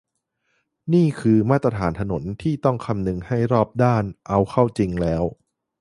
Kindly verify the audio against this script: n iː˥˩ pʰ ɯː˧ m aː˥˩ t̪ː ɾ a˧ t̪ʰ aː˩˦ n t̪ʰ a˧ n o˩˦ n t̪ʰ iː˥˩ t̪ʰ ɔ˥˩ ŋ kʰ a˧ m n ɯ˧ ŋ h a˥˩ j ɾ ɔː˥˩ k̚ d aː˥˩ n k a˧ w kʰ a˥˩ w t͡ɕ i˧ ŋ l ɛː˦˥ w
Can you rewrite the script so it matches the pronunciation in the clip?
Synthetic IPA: n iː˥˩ kʰ ɯː˧ m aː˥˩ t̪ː ɾ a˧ t̪ʰ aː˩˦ n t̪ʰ a˧ n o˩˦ n t̪ʰ iː˥˩ t̪ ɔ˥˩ ŋ kʰ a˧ m n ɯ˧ ŋ h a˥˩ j ɾ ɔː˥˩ p̚ d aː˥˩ n ʔ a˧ w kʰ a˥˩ w t͡ɕ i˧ ŋ l ɛː˦˥ w